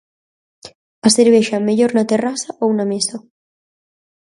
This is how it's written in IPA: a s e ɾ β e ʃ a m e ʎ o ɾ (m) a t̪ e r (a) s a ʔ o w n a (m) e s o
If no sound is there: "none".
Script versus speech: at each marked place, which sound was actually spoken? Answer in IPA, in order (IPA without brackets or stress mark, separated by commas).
n, a, m